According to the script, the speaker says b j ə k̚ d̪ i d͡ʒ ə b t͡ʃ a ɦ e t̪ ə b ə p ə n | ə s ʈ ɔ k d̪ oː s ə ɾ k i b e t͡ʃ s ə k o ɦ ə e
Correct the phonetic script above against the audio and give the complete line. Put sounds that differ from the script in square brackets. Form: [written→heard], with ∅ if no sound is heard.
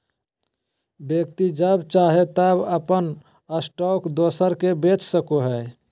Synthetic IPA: b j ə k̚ [d̪→t̪] i d͡ʒ ə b t͡ʃ a ɦ e t̪ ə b ə p ə n | ə s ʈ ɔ k d̪ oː s ə ɾ k [i→e] b e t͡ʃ s ə k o ɦ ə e